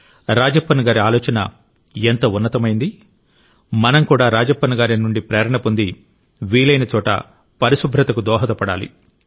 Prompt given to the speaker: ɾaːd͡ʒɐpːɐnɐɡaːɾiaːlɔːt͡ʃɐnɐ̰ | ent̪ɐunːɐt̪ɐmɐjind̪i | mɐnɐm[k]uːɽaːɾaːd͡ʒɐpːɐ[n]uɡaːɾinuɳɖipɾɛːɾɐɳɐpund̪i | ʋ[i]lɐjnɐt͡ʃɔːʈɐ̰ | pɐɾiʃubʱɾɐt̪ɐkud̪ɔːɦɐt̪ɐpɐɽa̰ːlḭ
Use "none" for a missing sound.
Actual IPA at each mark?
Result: k, n, iː

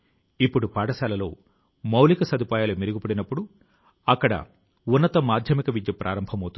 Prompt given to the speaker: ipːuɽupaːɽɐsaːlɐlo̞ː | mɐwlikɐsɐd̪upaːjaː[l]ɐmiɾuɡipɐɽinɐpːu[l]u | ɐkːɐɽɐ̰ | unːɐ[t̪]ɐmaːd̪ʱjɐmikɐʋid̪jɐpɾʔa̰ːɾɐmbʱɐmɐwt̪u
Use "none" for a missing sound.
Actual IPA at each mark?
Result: l, ɽ, t̪

